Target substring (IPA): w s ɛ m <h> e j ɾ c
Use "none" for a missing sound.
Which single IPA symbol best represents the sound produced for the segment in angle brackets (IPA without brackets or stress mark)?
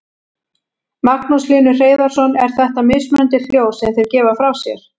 θ